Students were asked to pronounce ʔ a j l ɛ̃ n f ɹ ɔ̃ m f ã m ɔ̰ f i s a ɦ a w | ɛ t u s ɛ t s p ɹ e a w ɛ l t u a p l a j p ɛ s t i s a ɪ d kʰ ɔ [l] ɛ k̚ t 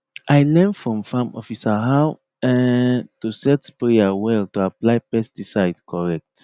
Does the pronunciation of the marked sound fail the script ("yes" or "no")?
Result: yes